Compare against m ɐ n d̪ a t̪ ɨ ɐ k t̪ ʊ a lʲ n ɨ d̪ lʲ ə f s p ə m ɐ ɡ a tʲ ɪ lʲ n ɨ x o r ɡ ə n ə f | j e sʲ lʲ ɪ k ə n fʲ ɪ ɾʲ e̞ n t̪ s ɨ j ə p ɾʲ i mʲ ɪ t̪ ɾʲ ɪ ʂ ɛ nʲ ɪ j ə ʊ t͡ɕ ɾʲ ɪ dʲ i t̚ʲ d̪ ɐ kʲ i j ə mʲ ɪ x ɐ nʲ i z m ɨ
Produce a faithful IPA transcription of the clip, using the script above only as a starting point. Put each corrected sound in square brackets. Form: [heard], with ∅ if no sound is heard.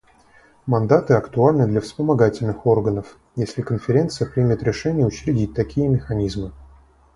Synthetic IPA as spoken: m ɐ n d̪ a t̪ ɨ ɐ k t̪ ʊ a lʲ n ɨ d̪ lʲ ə f s p ə m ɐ ɡ a tʲ ɪ lʲ n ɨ x o r ɡ ə n ə f | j e sʲ lʲ ɪ k ə n fʲ ɪ ɾʲ e̞ n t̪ s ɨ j ə p ɾʲ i mʲ ɪ t̪ ɾʲ ɪ ʂ ɛ nʲ ɪ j ə ʊ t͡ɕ ɾʲ ɪ dʲ i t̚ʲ [t̪] ɐ kʲ i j ə mʲ ɪ x ɐ nʲ i z m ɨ